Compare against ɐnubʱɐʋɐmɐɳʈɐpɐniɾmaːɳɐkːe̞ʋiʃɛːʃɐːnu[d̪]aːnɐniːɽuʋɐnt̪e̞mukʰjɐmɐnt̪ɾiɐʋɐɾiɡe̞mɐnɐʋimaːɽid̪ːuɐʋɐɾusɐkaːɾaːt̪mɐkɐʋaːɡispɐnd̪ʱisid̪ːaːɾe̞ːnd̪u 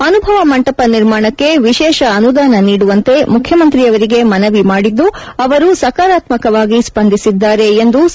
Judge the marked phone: correct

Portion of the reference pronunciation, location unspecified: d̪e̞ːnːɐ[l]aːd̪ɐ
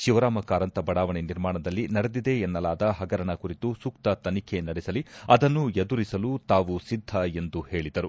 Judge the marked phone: correct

